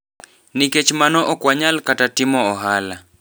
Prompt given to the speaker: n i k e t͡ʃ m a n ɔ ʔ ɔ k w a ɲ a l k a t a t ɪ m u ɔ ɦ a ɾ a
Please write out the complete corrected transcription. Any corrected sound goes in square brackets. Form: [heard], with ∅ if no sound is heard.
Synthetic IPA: n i k e t͡ʃ m a n ɔ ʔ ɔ k w a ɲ a l k a t a t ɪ m [ɔ] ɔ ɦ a [l] a